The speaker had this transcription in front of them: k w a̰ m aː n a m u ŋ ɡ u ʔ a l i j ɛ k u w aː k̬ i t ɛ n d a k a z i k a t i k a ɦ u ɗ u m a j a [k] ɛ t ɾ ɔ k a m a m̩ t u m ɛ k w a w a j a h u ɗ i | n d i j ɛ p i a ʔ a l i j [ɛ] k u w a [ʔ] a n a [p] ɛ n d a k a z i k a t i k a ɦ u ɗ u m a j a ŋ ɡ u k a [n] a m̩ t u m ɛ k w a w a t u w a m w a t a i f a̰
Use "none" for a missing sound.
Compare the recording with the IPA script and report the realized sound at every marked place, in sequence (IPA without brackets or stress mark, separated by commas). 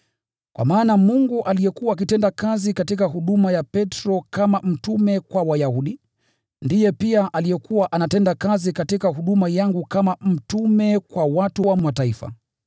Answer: p, ɛ, ʔ, t, m